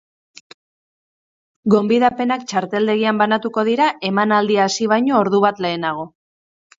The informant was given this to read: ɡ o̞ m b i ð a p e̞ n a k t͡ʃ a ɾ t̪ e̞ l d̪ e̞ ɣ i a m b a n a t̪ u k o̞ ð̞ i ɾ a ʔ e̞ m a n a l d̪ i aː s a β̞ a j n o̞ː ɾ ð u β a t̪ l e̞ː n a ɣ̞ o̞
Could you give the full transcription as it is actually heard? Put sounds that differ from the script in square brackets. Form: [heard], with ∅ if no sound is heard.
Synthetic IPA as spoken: ɡ o̞ m b i ð a p e̞ n a k t͡ʃ a ɾ t̪ e̞ l d̪ e̞ ɣ i a m b a n a t̪ u k o̞ ð̞ i ɾ a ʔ e̞ m a n a l d̪ i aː s [i] β̞ a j [ɲ] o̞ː ɾ ð u β a t̪ l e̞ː n a ɣ̞ o̞